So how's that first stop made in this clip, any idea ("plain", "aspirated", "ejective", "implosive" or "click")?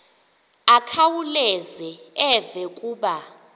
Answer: aspirated